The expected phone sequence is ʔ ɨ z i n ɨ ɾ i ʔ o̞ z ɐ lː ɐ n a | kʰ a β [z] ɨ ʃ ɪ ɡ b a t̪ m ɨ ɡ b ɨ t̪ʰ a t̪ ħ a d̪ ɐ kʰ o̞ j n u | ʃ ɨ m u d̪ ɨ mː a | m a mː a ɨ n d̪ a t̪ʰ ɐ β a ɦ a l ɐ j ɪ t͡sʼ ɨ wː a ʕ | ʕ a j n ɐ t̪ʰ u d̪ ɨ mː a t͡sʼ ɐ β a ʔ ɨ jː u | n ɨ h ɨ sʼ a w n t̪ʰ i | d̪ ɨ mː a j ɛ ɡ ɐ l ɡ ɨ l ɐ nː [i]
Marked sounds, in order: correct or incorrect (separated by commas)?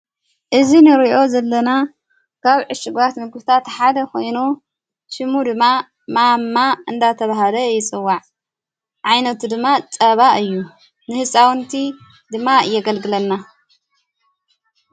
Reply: incorrect, incorrect